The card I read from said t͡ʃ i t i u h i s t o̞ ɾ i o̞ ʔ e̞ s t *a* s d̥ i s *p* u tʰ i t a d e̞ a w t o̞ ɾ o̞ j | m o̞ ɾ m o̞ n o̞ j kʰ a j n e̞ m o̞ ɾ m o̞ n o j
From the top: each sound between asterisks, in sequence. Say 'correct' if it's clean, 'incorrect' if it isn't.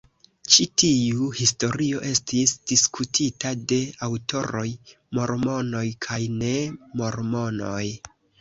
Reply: incorrect: i, incorrect: k

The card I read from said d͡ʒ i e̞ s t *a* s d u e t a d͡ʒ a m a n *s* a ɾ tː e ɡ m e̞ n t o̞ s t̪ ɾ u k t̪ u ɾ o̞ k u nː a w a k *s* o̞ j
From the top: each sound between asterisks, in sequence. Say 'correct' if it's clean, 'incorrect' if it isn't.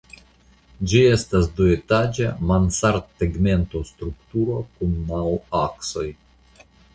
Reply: correct, correct, correct

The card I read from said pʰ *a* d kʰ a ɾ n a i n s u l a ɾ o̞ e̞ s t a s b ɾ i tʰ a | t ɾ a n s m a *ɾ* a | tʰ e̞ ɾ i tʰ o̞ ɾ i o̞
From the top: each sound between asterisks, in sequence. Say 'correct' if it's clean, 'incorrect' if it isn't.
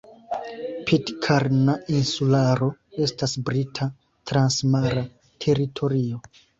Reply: incorrect: i, correct

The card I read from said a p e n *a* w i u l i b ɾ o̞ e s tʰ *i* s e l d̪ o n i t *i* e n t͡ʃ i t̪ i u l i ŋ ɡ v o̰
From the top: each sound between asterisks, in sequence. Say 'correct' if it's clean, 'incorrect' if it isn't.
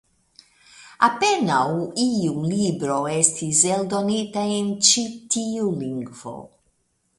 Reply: correct, correct, incorrect: a

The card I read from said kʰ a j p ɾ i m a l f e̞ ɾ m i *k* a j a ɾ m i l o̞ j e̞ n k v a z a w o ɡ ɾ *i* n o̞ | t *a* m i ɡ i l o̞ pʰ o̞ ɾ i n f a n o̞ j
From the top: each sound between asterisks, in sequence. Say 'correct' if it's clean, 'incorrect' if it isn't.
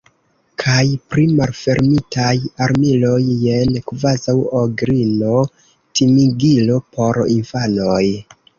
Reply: incorrect: t, correct, incorrect: i

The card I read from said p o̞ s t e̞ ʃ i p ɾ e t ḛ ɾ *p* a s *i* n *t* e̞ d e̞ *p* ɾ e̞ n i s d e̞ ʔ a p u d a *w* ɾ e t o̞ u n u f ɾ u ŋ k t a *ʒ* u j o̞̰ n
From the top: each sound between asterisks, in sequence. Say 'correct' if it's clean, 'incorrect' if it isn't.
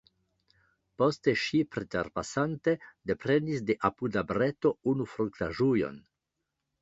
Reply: correct, incorrect: a, correct, correct, incorrect: b, correct

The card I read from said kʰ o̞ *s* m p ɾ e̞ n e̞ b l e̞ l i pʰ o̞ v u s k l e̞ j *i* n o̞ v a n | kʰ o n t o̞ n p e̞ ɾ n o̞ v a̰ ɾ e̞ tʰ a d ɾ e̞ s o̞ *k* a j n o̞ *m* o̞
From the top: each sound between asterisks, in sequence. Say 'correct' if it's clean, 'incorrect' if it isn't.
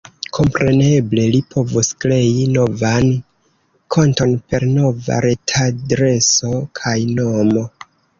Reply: incorrect: none, correct, incorrect: kʰ, correct

